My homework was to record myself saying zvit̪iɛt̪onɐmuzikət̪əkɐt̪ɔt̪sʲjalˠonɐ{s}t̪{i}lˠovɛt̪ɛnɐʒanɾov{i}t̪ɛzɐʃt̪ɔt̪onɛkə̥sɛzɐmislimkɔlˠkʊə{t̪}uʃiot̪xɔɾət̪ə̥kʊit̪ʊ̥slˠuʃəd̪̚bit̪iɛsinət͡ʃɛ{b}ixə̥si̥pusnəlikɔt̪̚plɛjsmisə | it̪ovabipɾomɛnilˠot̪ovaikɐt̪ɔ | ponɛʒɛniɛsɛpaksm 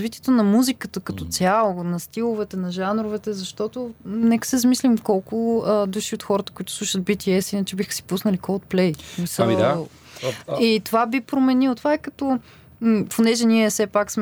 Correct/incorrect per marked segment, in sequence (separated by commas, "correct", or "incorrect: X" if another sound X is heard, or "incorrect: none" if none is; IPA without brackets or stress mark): correct, correct, incorrect: ɛ, incorrect: d̪, correct